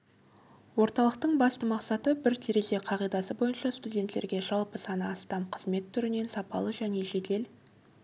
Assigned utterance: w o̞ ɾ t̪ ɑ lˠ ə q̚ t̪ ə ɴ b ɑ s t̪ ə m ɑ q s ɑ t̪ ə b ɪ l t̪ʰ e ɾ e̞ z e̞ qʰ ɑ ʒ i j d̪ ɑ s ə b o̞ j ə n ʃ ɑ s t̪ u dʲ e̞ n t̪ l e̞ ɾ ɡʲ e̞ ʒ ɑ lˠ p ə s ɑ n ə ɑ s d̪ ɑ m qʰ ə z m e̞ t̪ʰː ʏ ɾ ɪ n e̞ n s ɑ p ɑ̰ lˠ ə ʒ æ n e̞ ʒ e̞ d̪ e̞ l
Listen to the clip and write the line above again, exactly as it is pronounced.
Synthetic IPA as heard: w o̞ ɾ t̪ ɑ lˠ ə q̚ t̪ ə ɴ b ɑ s t̪ ə m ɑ q s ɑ t̪ ə b ɪ ɾ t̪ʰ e ɾ e̞ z e̞ qʰ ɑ ʁ i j d̪ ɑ s ə b o̞ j ə n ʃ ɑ s t̪ u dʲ e̞ n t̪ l e̞ ɾ ɡʲ e̞ ʒ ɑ lˠ p ə s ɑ n ə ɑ s t̪ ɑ m qʰ ə z m e̞ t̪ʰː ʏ ɾ ɪ n e̞ n s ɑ p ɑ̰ lˠ ə ʒ æ n e̞ ʒ e̞ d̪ e̞ l